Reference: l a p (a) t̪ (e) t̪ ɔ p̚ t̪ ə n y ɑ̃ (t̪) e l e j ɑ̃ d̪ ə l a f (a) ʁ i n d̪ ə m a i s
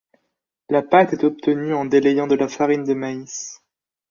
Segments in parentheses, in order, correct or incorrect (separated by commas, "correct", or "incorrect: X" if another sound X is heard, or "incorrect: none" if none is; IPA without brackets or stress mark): correct, incorrect: ɛ, incorrect: d̪, correct